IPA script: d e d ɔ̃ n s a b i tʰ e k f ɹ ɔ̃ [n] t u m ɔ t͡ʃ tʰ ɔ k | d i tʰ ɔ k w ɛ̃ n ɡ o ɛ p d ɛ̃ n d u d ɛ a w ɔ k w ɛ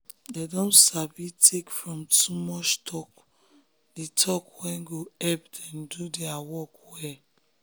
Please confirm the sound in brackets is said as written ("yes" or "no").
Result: no